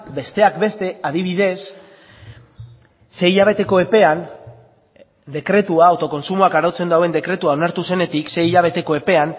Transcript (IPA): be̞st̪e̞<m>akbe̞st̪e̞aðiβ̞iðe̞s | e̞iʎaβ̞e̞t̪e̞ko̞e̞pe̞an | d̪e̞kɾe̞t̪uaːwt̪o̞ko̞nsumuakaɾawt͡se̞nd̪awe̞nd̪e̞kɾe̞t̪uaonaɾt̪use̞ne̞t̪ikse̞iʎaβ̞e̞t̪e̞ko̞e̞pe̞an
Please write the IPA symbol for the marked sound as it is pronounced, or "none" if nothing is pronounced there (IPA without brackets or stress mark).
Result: none